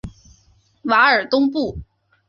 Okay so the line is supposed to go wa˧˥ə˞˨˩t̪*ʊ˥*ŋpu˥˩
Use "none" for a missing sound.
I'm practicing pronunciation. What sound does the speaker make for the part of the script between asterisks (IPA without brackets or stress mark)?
ʊ˥